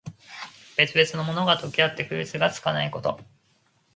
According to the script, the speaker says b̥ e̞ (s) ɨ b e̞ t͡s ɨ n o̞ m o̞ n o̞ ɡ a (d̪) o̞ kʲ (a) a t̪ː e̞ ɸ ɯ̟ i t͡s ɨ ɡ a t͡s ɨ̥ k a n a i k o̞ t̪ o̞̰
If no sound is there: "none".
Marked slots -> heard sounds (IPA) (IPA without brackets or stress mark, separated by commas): t͡s, t̪, i